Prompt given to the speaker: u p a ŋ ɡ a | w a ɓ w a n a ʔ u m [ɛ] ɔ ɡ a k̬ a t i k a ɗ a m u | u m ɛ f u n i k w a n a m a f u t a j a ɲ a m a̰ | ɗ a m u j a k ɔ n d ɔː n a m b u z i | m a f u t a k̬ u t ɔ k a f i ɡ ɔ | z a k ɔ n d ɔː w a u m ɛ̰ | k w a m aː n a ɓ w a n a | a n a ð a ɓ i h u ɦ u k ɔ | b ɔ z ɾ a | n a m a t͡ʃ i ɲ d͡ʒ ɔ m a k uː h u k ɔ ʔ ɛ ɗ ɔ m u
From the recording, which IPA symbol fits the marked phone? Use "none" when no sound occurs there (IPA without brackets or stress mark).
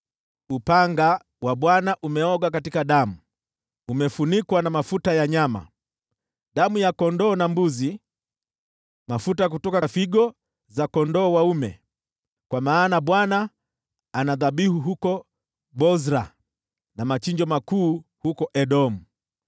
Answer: ɛ